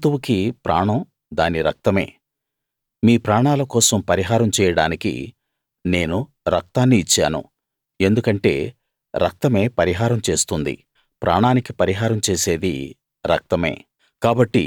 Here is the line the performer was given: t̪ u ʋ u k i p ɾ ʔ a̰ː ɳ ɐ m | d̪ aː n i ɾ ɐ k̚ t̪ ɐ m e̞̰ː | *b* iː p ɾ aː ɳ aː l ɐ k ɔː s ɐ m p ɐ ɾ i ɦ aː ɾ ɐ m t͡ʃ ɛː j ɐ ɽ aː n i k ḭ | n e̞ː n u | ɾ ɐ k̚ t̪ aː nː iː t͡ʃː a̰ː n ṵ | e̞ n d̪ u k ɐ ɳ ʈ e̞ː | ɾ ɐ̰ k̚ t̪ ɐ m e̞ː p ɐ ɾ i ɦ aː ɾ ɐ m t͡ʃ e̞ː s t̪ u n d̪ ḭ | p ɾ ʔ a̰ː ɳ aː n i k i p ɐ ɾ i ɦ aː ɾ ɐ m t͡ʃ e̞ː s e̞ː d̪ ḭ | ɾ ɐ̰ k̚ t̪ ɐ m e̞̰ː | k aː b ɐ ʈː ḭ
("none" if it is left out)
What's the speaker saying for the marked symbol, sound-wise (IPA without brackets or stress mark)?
m